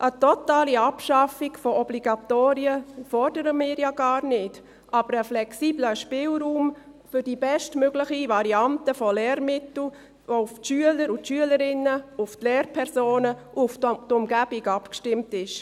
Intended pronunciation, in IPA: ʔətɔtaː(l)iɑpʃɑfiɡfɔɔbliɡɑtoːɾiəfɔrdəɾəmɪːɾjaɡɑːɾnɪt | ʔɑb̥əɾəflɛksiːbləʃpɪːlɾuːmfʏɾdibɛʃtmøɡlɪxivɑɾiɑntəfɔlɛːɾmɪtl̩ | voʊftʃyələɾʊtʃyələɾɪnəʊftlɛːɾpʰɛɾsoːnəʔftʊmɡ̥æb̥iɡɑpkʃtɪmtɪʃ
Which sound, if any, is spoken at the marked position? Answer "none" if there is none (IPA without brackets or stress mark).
l